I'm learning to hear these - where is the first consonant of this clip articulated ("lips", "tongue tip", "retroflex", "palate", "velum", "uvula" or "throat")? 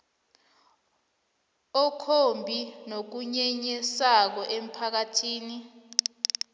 velum